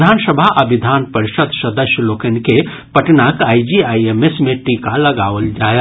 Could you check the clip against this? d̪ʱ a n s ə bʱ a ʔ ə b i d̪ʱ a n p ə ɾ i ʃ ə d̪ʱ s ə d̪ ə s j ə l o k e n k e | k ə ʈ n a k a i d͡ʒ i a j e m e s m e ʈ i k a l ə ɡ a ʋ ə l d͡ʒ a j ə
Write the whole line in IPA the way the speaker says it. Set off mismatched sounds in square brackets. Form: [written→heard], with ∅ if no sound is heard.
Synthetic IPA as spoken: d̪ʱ a n s ə bʱ a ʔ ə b i d̪ʱ a n p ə ɾ i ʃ ə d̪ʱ s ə d̪ ə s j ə l o k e n k e | [k→p] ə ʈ n a k a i d͡ʒ i a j e m e s m e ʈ i k a l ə ɡ a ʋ ə l d͡ʒ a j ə